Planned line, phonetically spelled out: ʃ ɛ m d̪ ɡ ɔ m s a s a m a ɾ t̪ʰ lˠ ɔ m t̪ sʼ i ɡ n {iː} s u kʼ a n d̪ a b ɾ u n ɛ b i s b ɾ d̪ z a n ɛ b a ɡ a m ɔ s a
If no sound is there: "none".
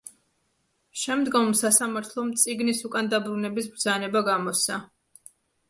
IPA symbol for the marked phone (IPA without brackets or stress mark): i